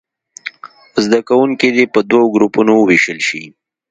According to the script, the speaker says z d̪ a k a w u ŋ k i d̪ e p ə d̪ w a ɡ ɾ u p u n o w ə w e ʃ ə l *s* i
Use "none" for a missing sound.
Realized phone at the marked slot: ʃ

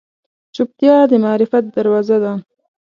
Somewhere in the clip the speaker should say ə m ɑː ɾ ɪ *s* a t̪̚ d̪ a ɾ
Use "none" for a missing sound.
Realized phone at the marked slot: f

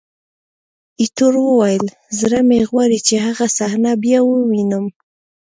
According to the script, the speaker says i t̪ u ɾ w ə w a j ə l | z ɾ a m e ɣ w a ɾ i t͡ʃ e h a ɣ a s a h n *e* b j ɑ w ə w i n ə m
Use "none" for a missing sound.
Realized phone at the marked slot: a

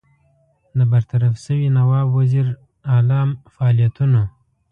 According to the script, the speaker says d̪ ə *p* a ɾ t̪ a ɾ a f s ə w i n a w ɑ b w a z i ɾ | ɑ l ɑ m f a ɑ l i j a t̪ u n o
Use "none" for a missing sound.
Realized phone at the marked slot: b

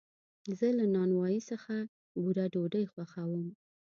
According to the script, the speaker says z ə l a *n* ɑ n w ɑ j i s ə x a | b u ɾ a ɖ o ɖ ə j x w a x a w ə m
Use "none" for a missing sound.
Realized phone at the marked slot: n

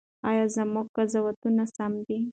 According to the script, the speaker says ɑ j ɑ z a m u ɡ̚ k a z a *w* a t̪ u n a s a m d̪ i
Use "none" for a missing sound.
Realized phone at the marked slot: w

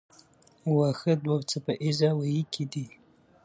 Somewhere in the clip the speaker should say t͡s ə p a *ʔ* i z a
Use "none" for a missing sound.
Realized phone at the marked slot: ʔ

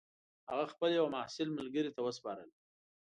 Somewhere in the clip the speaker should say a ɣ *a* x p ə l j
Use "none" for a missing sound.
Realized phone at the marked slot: a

